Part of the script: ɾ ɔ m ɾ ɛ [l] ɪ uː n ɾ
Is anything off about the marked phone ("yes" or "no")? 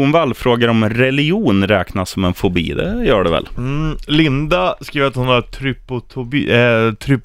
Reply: no